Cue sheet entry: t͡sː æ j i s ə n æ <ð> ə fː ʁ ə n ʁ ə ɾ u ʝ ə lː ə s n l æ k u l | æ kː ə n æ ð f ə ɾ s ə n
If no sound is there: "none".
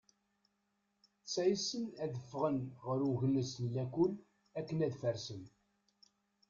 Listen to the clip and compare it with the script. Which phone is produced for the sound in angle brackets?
ð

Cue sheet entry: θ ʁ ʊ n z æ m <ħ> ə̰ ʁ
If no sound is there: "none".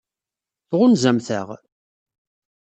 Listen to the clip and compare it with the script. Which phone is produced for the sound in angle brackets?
θ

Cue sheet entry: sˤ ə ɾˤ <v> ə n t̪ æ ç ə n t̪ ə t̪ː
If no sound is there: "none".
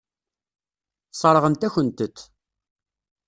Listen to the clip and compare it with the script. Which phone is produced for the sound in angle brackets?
ʁ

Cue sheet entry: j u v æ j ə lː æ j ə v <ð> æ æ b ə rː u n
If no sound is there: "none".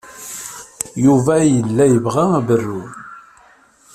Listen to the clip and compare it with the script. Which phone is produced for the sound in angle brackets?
ʁ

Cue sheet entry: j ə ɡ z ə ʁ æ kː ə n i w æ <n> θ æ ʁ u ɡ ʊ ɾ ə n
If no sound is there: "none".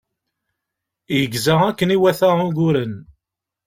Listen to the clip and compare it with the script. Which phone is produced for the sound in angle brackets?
none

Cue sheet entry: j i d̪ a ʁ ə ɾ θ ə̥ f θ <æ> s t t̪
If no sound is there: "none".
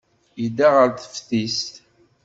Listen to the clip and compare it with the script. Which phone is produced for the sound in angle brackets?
i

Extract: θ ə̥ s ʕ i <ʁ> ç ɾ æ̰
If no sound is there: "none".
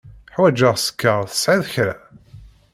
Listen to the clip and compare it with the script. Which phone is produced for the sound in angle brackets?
ð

